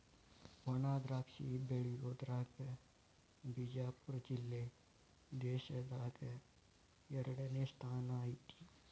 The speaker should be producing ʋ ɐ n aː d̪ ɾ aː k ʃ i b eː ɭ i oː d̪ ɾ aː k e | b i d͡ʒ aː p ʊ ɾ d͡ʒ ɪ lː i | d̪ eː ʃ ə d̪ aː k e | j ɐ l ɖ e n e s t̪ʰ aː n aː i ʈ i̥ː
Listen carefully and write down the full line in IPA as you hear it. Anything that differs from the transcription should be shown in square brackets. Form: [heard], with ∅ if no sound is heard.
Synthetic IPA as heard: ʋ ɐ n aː d̪ ɾ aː k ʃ i b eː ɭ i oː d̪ ɾ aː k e | b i d͡ʒ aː p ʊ ɾ d͡ʒ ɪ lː [e] | d̪ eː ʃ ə d̪ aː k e | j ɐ [ɾ] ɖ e n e s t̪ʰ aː n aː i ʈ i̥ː